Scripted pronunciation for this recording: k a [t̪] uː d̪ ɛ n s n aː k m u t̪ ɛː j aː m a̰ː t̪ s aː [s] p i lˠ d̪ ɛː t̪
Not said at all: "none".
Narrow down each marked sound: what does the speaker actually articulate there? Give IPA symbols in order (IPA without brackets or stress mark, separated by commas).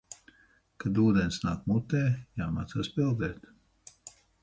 d̪, s